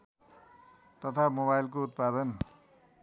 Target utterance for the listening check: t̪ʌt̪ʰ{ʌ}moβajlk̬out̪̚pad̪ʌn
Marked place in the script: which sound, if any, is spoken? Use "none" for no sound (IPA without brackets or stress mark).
a